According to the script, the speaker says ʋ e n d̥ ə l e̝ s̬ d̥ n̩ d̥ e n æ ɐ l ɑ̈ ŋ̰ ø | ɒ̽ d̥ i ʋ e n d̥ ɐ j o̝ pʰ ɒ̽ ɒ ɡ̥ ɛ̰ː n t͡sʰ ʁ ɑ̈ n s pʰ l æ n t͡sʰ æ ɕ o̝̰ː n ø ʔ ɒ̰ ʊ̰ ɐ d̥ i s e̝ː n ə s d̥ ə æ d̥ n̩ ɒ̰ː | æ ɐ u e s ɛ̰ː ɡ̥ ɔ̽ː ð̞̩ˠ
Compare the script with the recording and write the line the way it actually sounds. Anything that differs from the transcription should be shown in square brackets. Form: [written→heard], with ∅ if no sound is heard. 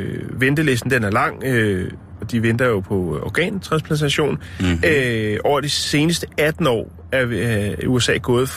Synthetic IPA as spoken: ʋ e n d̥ ə l e̝ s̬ d̥ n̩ d̥ e n æ ɐ l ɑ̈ ŋ̰ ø | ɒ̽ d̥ i ʋ e n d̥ ɐ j o̝ pʰ ɒ̽ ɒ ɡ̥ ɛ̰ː n t͡sʰ ʁ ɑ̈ n s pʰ l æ n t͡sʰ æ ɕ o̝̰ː n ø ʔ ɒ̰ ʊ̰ ɐ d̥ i s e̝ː n ə s d̥ ə æ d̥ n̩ ɒ̰ː | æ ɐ u e s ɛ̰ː ɡ̥ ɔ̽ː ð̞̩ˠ